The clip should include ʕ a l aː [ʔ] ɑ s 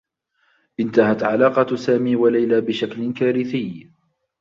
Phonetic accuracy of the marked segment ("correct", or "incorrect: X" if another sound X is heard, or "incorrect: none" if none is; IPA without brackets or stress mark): incorrect: q